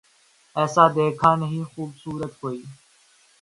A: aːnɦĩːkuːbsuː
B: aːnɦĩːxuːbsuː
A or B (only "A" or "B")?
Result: B